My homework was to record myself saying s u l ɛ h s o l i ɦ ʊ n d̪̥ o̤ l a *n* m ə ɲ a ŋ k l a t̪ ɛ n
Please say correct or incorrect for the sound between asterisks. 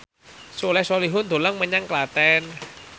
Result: incorrect